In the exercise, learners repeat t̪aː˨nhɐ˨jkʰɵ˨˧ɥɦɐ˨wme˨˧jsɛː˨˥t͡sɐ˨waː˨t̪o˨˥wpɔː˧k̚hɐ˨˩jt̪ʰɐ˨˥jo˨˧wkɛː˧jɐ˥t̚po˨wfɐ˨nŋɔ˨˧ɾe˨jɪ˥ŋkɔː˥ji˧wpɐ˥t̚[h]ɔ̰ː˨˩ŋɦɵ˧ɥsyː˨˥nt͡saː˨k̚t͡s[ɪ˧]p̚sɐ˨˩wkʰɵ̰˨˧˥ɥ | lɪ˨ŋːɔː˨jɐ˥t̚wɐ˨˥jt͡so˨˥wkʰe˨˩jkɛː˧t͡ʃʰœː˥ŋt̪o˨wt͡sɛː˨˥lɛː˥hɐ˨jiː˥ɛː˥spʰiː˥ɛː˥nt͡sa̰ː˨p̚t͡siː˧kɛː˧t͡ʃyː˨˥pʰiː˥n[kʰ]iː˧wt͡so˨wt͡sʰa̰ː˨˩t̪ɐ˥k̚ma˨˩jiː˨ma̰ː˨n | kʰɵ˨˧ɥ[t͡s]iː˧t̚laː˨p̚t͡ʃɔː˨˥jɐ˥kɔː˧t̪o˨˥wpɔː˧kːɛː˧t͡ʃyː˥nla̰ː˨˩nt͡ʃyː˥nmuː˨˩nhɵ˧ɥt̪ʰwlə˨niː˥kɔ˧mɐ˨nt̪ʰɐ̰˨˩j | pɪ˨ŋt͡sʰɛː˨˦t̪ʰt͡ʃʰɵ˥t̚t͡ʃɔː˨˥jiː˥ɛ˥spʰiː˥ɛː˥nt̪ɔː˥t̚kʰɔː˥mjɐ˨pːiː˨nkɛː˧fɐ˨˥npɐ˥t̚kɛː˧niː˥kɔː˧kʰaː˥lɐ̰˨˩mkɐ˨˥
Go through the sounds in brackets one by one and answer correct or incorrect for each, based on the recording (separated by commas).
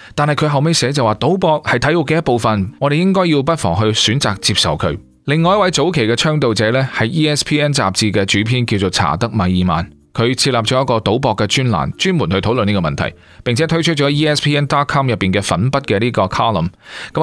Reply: incorrect, incorrect, incorrect, incorrect